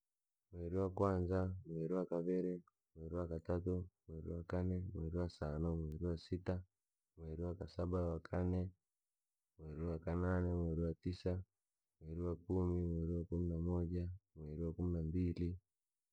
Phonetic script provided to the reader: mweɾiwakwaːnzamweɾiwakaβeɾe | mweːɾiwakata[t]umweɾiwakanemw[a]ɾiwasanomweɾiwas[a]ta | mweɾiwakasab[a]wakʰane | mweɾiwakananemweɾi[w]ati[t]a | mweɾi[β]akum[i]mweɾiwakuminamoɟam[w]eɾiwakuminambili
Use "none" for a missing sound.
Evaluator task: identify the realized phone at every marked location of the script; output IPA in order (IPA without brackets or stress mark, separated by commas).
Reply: t, e, i, a, w, s, w, i, w